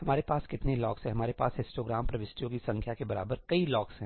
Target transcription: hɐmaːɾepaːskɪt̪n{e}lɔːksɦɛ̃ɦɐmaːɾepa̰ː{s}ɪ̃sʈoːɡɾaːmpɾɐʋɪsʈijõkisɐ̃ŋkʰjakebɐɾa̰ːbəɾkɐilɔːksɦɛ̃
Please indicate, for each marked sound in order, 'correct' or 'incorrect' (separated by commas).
correct, correct